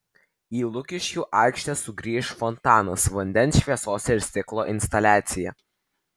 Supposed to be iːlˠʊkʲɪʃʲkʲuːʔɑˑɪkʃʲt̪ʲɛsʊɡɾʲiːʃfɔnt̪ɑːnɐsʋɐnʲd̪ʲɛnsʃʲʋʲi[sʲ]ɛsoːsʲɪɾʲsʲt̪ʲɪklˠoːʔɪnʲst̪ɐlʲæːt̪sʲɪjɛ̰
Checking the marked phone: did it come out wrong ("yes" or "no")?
yes